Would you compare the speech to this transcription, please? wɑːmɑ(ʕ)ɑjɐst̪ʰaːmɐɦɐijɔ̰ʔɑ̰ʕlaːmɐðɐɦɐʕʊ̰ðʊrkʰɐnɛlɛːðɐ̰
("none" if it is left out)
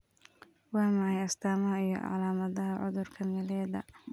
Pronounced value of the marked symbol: ʕ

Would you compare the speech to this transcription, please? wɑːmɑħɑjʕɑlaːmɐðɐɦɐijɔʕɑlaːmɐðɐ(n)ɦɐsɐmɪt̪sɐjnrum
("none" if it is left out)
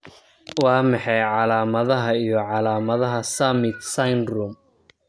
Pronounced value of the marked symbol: none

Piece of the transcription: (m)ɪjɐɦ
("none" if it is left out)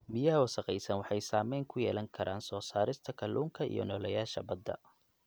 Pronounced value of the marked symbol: m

